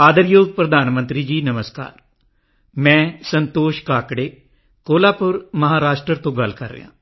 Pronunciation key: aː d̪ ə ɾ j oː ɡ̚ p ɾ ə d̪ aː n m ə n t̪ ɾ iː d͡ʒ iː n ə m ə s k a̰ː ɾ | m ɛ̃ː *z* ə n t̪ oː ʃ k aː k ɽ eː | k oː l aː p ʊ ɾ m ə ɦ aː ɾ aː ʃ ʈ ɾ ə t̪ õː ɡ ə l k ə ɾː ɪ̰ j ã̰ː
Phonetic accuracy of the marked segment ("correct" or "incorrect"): incorrect